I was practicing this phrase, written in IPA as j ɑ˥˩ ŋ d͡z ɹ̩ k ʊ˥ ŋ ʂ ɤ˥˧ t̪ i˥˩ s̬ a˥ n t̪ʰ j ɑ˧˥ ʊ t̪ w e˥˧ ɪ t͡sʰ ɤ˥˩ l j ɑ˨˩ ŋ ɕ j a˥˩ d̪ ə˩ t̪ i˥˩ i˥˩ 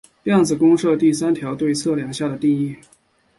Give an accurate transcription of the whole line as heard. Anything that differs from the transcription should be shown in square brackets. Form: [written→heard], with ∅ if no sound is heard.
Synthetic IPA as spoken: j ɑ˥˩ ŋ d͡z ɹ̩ k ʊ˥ ŋ ʂ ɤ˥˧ t̪ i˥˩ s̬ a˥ n t̪ʰ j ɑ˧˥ ʊ t̪ w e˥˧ ɪ t͡sʰ ɤ˥˩ l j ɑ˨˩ ŋ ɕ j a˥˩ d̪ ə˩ t̪ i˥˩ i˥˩